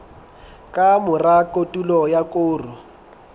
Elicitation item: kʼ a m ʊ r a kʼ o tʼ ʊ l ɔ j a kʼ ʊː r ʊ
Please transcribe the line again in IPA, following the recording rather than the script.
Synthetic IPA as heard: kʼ a m ʊ r a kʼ o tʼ u l ɔ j a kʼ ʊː r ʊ